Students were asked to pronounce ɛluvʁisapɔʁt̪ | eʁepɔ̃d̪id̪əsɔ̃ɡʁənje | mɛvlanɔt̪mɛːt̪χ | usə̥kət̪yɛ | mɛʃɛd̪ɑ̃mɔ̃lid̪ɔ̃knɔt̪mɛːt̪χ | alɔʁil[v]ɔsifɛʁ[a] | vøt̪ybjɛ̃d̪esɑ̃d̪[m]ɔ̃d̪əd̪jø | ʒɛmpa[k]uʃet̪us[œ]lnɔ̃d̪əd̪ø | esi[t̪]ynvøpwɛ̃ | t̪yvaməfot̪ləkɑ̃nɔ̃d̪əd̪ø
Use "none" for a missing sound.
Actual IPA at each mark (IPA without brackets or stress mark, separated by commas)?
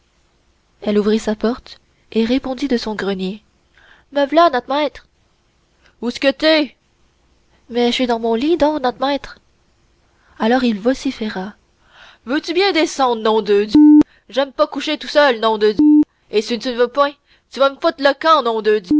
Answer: v, a, n, k, œ, t̪